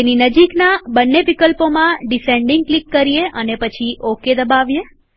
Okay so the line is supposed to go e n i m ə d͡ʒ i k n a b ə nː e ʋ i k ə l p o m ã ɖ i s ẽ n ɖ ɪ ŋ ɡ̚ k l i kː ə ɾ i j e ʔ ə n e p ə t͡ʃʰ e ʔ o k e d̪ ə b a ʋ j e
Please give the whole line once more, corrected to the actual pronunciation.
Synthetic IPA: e n i n ə d͡ʒ i k n a b ə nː e ʋ i k ə l p o m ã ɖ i s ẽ ɳ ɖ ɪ ŋ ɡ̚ k l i kː ə ɾ i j e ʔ ə n e p ə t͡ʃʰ i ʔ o k e d̪ ə b a ʋ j e

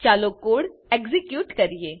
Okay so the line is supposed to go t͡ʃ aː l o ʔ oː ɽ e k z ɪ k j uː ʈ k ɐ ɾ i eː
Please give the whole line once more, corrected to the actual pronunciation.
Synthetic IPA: t͡ʃ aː l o k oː ɽ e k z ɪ k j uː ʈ k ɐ ɾ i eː

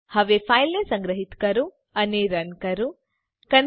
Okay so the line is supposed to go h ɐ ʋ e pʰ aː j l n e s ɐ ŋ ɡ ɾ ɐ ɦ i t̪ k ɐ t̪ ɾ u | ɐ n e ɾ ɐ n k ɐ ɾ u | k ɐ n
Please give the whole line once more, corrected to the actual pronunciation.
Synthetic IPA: h ɐ ʋ e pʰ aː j l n e s ɐ ŋ ɡ ɾ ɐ ɦ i t̪ k ɐ ɾ u | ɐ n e ɾ ɐ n k ɐ ɾ u | k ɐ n

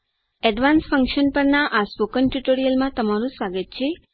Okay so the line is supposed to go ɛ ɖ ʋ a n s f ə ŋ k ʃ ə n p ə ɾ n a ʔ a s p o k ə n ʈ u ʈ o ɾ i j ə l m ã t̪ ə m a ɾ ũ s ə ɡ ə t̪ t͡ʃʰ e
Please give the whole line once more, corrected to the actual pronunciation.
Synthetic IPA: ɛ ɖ ʋ a n s f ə ŋ k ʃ ə n p ə ɾ n a ʔ a s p o k ə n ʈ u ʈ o ɾ i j ə l m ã t̪ ə m a ɾ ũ s a ɡ ə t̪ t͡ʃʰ e

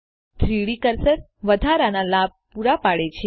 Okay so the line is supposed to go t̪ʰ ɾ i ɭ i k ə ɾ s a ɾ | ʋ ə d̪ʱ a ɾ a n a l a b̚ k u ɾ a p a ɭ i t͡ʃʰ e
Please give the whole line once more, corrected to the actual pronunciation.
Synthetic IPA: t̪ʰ ɾ i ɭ i k ə ɾ s ə ɾ | ʋ ə d̪ʱ a ɾ a n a l a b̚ p u ɾ a p a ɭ e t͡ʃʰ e

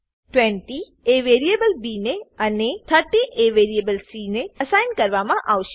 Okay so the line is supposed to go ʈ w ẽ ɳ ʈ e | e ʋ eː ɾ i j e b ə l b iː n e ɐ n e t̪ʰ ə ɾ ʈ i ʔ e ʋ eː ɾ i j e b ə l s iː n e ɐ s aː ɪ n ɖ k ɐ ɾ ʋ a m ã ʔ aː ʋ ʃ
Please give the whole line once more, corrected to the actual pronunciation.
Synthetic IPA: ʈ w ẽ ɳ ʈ i | e ʋ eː ɾ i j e b ə l b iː n e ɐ n e t̪ʰ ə ɾ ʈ i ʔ e ʋ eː ɾ i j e b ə l s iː n e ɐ s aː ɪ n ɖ k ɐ ɾ ʋ a m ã ʔ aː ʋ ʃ

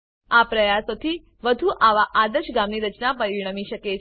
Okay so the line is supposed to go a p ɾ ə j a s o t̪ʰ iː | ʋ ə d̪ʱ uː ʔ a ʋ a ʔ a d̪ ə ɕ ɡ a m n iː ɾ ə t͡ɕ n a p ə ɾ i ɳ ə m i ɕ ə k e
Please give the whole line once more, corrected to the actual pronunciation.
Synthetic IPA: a p ɾ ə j a s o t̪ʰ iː | ʋ ə d̪ʱ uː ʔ a ʋ a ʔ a d̪ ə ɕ ɡ a m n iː ɾ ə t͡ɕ n a p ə ɾ i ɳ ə m i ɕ ə k e

